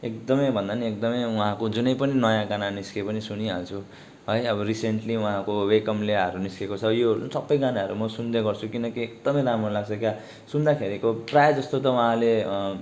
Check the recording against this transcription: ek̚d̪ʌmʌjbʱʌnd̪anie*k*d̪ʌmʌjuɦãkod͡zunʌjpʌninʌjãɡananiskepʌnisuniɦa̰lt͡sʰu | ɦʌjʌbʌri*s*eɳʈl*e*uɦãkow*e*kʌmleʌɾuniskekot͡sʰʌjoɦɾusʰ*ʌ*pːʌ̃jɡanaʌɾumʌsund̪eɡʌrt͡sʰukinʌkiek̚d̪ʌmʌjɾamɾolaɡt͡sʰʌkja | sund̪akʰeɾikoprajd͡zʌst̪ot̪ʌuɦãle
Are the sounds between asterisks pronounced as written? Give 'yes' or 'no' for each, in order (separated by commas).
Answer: yes, yes, no, yes, yes